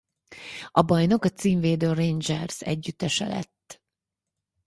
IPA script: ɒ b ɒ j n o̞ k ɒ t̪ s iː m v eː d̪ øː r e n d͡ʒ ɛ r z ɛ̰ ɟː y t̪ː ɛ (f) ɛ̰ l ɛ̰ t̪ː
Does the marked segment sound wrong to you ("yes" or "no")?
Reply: yes